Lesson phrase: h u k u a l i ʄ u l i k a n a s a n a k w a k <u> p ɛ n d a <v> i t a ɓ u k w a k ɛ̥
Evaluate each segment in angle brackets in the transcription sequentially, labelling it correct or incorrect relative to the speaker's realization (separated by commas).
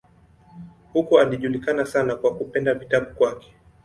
correct, correct